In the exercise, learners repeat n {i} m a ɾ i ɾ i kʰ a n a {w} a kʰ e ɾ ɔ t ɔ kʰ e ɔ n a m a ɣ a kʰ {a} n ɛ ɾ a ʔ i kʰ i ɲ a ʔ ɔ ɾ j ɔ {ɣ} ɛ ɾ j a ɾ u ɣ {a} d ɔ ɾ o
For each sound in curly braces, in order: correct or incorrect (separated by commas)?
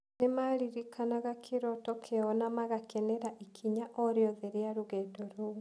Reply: incorrect, incorrect, incorrect, incorrect, incorrect